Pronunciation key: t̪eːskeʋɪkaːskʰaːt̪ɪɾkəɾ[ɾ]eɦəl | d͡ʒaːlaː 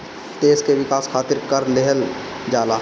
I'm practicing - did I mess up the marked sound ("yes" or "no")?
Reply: yes